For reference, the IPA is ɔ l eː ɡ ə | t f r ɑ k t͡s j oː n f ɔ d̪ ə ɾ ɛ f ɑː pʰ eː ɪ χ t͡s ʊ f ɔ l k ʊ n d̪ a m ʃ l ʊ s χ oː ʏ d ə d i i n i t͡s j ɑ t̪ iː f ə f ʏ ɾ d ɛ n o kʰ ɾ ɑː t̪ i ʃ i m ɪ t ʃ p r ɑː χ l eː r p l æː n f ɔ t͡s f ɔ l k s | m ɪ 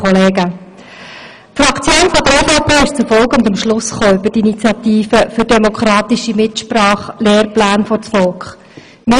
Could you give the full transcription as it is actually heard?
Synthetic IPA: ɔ l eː ɡ ə | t f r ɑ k t͡s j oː n f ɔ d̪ ə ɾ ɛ f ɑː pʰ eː ɪ ʃ t͡s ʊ f ɔ l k ʊ n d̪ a m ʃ l ʊ s χ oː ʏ b ə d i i n i t͡s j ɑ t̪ iː f ə f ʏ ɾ d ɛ m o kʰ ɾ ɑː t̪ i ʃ i m ɪ t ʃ p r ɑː χ l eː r p l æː n f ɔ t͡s f ɔ l k χ | m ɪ